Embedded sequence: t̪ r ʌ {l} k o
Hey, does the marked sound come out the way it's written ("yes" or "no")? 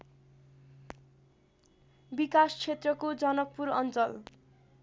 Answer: no